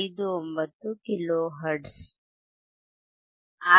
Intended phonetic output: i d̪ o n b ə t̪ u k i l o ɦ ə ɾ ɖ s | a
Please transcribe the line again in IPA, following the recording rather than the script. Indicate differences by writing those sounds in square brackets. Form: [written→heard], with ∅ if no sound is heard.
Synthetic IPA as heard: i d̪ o [n→m] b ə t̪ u k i l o ɦ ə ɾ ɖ s | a